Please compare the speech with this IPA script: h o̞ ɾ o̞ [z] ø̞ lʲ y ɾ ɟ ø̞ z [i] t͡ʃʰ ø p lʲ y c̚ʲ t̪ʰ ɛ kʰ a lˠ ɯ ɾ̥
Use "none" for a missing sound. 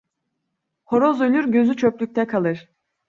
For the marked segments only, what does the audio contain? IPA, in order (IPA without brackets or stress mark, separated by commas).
z, y